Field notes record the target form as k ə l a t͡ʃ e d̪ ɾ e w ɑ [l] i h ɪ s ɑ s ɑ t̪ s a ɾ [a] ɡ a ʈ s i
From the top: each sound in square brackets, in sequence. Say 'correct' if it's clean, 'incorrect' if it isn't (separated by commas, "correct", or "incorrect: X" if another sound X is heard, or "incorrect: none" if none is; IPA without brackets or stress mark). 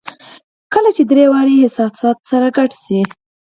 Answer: incorrect: ɾ, correct